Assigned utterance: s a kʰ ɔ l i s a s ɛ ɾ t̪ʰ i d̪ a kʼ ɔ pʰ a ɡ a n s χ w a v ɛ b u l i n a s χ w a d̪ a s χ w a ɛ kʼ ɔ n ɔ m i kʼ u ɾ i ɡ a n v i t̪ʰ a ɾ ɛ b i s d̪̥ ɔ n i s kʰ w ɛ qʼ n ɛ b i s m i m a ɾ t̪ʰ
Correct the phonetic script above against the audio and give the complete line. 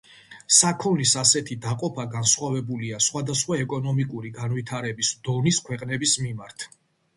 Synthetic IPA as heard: s a kʰ ɔ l i s a s ɛ t̪ʰ i d̪ a qʼ ɔ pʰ a ɡ a n s χ w a v ɛ b u l i a s χ w a d̪ a s χ w a ɛ kʼ ɔ n ɔ m i kʼ u ɾ i ɡ a n v i t̪ʰ a ɾ ɛ b i s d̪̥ ɔ n i s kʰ w ɛ qʼ n ɛ b i s m i m a ɾ t̪ʰ